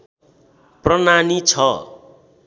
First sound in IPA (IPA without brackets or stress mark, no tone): p